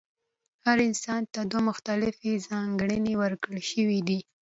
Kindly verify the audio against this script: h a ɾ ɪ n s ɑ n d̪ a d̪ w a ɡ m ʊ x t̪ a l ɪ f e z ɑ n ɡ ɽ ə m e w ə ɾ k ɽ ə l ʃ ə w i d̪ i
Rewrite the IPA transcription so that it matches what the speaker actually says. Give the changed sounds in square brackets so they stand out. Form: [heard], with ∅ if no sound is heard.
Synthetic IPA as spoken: h a ɾ ɪ n s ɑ n [t̪] a d̪ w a [∅] m ʊ x t̪ a l ɪ f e z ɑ [ŋ] ɡ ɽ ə [n] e w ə ɾ k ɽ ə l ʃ ə w i d̪ i

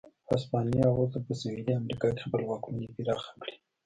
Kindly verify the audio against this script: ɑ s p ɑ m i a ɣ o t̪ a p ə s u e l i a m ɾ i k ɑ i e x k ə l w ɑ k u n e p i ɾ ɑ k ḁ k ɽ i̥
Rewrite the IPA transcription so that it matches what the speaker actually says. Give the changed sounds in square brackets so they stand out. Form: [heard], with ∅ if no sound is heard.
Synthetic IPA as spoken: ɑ s p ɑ [n] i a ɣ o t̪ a p ə s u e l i a m ɾ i k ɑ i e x [p] ə l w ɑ k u n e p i ɾ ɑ [x] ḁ k ɽ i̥

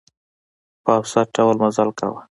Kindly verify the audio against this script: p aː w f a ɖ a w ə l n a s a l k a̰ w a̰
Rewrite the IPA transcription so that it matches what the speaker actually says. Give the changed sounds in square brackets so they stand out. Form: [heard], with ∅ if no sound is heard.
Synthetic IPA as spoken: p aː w [s] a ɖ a w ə l [m] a [z] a l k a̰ w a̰

